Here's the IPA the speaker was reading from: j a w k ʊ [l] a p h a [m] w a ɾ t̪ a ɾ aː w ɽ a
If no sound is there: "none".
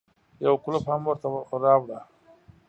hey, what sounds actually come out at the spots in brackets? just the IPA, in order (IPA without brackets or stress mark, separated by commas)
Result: l, m